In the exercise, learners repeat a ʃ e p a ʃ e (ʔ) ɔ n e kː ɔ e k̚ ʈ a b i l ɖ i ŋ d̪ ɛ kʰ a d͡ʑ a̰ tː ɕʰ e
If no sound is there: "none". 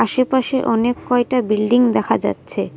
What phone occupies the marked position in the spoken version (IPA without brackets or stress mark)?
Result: ʔ